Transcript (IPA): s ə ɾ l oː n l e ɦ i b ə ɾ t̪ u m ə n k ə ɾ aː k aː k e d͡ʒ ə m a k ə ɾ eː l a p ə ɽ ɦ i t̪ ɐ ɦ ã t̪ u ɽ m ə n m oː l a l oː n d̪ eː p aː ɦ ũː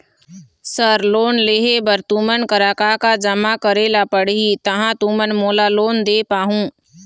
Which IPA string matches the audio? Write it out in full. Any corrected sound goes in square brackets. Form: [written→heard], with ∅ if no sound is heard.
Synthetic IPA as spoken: s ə ɾ l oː n l e ɦ [i→e] b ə ɾ t̪ u m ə n k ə ɾ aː k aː k [e→a] d͡ʒ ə m a k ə ɾ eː l a p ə ɽ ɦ i t̪ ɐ ɦ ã t̪ u [ɽ→∅] m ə n m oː l a l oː n d̪ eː p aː ɦ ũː